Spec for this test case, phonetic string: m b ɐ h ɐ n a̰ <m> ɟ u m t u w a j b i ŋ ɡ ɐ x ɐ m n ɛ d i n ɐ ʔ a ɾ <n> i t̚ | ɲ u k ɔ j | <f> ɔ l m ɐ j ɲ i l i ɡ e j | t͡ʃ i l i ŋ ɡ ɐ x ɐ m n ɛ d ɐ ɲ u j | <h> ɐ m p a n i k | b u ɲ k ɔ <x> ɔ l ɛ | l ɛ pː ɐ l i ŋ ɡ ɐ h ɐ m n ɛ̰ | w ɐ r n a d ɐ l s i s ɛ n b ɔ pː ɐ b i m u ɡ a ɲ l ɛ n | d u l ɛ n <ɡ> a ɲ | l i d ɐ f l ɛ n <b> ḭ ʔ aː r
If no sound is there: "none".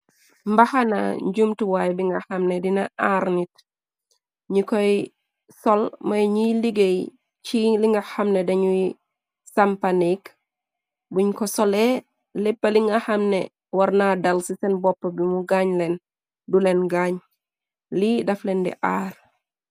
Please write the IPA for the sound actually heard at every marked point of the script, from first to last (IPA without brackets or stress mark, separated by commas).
ɲ, n, s, s, s, ɡ, d